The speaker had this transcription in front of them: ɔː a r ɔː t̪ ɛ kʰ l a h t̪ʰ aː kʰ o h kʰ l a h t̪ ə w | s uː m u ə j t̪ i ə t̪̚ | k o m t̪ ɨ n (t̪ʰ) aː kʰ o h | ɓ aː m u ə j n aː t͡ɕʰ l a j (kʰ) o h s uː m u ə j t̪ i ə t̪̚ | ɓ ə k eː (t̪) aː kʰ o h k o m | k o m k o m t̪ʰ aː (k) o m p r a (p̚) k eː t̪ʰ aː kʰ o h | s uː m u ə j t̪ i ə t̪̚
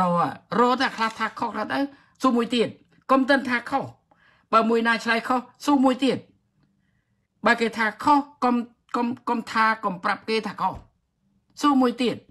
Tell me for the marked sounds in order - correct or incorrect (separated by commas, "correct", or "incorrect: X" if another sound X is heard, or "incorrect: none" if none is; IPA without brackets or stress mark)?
correct, correct, incorrect: t̪ʰ, correct, correct